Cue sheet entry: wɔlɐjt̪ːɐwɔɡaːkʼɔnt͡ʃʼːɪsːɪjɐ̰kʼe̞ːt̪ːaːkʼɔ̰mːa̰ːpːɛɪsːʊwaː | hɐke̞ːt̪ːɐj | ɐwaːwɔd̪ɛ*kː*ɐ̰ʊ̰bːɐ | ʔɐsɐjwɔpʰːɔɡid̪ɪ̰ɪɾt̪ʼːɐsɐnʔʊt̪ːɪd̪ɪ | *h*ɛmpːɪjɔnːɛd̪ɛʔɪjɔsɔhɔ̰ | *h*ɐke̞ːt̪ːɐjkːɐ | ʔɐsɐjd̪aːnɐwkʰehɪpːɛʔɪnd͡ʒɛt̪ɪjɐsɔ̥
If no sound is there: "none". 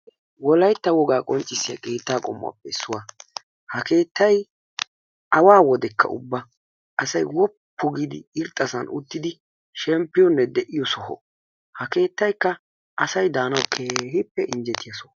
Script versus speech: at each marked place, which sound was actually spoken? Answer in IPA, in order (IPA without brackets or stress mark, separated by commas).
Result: kː, ʃ, h